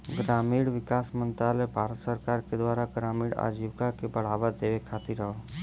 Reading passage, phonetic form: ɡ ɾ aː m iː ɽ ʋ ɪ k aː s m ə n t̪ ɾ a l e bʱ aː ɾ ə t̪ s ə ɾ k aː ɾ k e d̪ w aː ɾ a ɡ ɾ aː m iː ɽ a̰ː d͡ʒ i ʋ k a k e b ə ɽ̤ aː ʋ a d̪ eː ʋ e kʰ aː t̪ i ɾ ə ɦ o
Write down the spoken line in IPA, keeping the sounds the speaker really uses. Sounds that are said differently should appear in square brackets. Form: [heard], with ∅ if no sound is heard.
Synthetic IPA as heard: ɡ ɾ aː m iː ɽ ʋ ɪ k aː s m ə n t̪ ɾ a l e bʱ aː ɾ ə t̪ s ə ɾ k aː ɾ k e d̪ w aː ɾ a ɡ ɾ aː m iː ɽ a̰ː d͡ʒ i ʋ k a k e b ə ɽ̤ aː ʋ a d̪ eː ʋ e kʰ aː t̪ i ɾ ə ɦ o